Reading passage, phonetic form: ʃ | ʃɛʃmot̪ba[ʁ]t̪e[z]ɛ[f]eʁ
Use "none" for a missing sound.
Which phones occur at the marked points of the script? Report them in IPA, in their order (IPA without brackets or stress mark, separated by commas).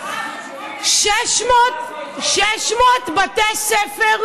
none, s, f